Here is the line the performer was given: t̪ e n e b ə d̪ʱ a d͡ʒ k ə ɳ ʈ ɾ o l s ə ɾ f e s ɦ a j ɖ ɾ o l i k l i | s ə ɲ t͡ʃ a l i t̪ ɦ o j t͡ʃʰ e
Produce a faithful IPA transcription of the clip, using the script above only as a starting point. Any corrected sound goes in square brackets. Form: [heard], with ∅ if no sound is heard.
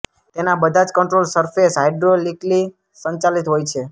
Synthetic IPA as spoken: t̪ e n [a] b ə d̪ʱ a d͡ʒ k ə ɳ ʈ ɾ o l s ə ɾ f e s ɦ a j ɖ ɾ o l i k l i | s ə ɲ t͡ʃ a l i t̪ ɦ o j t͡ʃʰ e